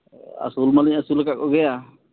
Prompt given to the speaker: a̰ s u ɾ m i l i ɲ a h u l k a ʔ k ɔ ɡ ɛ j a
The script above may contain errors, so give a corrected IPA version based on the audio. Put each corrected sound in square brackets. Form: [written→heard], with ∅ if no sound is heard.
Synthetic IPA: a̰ s u [ɾ→l] m [i→a] l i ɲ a [h→s] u l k a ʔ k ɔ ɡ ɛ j a